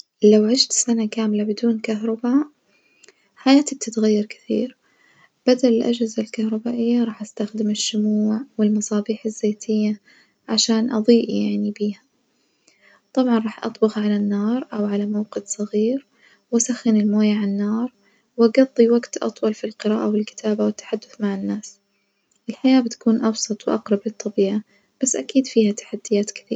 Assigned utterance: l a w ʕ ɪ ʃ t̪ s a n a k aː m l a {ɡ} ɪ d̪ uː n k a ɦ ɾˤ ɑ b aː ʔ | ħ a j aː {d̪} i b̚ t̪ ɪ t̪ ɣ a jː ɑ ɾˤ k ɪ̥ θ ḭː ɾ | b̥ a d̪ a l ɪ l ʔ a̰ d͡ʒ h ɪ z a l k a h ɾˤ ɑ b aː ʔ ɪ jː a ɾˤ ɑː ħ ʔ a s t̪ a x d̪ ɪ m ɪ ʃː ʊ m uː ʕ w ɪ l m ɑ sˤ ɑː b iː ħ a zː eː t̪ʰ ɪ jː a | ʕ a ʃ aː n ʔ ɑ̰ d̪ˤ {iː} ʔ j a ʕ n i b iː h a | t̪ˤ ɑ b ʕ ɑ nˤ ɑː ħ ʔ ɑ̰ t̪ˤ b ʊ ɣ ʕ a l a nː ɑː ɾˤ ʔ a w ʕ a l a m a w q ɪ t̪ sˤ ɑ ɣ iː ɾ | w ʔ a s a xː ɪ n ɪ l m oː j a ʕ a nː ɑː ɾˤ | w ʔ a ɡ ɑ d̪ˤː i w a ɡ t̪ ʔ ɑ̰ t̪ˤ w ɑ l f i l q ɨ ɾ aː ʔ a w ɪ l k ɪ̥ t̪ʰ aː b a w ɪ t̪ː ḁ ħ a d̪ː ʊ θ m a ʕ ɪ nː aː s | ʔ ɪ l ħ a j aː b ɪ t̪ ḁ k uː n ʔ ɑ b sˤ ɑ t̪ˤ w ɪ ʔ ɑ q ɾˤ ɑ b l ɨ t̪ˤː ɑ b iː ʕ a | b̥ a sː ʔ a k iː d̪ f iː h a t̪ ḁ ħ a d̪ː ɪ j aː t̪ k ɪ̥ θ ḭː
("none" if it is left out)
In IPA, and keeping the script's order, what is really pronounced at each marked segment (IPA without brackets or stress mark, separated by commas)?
b, t̪, iː